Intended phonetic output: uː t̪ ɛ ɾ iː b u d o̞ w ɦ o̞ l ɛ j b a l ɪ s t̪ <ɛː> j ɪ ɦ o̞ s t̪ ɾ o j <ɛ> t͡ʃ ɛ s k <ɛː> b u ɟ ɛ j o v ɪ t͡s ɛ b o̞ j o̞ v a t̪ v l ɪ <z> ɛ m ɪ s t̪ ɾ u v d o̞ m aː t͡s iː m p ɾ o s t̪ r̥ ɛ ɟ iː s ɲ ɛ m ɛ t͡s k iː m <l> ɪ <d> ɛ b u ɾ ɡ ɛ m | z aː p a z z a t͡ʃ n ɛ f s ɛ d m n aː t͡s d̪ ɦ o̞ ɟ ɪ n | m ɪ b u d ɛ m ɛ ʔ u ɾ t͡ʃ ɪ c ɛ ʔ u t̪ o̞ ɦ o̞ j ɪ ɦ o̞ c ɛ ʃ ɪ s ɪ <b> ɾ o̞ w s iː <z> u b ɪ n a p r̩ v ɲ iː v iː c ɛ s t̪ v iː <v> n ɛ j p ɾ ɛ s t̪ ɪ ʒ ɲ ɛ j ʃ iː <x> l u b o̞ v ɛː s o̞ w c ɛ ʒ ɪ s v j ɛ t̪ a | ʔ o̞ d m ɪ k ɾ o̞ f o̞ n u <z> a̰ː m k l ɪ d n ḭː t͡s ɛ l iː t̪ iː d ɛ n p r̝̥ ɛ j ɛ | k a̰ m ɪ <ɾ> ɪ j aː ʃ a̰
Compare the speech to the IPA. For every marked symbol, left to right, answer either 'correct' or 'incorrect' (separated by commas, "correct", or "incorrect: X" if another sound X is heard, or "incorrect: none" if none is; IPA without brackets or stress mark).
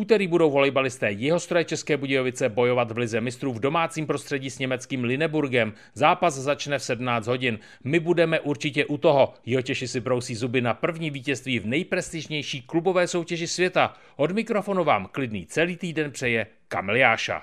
correct, correct, correct, correct, correct, incorrect: n, correct, correct, correct, incorrect: k, incorrect: v, incorrect: l